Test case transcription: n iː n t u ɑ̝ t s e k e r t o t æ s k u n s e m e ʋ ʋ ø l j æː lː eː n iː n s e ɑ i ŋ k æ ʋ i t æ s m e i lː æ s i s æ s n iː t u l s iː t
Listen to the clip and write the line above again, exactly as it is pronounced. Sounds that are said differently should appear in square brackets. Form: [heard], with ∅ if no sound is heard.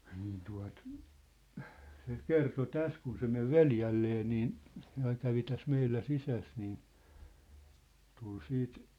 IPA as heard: n iː n t u ɑ̝ t s e k e r t o t æ s k u n s e m e ʋ ʋ [e] l j [æ] lː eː n iː n s e ɑ i ŋ k æ ʋ i t æ s m e i lː æ s i s æ s n iː t u l s iː t